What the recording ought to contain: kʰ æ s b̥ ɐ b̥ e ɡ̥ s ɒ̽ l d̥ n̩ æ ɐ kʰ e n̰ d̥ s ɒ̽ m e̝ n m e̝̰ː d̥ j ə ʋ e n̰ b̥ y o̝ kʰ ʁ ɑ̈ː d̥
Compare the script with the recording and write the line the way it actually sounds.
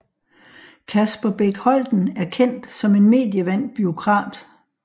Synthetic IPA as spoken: kʰ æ s b̥ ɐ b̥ e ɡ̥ h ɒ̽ l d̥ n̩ æ ɐ kʰ e n̰ d̥ s ɒ̽ m e̝ n m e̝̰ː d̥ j ə ʋ æ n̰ b̥ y o̝ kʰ ʁ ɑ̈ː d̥